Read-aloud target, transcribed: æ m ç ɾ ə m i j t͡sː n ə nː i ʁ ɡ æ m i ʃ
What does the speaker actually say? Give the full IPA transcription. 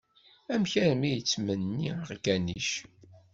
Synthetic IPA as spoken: æ m ç ɾ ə m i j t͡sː m ə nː i ʁ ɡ æ n i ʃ